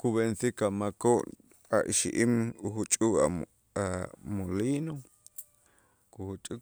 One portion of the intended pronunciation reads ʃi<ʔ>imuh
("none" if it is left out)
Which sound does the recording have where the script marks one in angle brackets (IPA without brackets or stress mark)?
ʔ